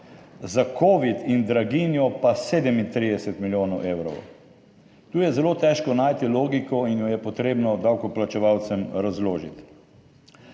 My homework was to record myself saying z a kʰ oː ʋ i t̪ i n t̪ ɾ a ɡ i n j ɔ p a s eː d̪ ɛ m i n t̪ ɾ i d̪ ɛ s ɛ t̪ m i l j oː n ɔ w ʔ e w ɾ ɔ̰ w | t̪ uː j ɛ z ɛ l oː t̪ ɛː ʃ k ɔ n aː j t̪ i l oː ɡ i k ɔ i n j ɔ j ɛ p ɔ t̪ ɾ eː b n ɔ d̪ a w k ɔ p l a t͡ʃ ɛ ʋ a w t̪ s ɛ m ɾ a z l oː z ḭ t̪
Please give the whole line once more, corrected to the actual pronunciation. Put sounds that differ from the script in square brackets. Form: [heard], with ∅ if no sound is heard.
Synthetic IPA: z a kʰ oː ʋ i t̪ i n [d̪] ɾ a ɡ i n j ɔ p a s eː d̪ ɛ m i n t̪ ɾ i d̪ ɛ s ɛ t̪ m i l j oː n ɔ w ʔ e w ɾ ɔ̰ w | t̪ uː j ɛ z ɛ l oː t̪ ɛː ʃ k ɔ n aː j t̪ i l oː ɡ i k ɔ i n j ɔ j ɛ p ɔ t̪ ɾ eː b n ɔ d̪ a w k ɔ p l a t͡ʃ ɛ ʋ a w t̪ s ɛ m ɾ a z l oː [ʒ] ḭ t̪

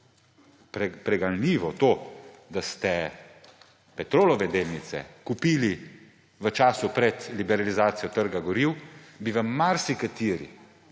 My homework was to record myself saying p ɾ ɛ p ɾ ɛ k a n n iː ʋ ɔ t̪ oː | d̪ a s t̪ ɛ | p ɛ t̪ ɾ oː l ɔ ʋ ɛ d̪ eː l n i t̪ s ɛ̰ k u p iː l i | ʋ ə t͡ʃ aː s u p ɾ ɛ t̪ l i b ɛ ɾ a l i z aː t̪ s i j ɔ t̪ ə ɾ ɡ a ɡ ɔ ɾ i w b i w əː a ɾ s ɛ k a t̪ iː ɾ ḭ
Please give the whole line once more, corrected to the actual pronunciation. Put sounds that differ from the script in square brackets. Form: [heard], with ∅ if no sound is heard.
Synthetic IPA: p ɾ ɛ p ɾ ɛ [ɡ] a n n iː ʋ ɔ t̪ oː | d̪ a s t̪ ɛ | p ɛ t̪ ɾ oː l ɔ ʋ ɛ d̪ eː l n i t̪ s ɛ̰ k u p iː l i | ʋ ə t͡ʃ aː s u p ɾ ɛ t̪ l i b ɛ ɾ a l i z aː t̪ s i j ɔ t̪ ə ɾ ɡ a ɡ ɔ ɾ i w b i [ʋ] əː a ɾ s [i] k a t̪ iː ɾ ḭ

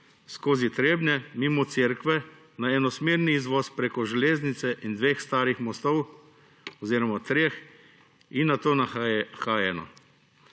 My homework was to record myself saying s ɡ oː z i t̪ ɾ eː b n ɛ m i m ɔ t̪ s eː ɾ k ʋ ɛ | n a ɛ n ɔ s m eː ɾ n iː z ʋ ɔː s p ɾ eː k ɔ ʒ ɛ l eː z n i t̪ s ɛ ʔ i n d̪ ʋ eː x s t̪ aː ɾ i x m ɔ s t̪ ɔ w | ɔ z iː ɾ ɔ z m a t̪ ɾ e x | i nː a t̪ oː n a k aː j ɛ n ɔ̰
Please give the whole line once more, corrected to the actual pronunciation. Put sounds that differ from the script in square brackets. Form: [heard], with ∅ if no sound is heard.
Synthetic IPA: s [k] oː z i t̪ ɾ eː b n ɛ m i m ɔ t̪ s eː ɾ k ʋ ɛ | n a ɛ n ɔ s m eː ɾ n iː z ʋ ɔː s p ɾ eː k ɔ ʒ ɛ l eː z n i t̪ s ɛ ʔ i n d̪ ʋ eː x s t̪ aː ɾ i x m ɔ s t̪ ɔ w | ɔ z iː ɾ ɔ [∅] m a t̪ ɾ e x | i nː a t̪ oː n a [x] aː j ɛ n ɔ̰

